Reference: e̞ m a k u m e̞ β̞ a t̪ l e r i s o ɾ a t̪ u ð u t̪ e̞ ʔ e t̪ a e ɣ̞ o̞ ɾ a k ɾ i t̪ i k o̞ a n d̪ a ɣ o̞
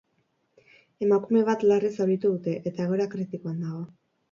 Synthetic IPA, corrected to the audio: e̞ m a k u m e̞ β̞ a t̪ l a r i s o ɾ i t̪ u ð u t̪ e̞ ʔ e t̪ a e ɣ̞ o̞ ɾ a k ɾ i t̪ i k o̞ a n d̪ a ɣ o̞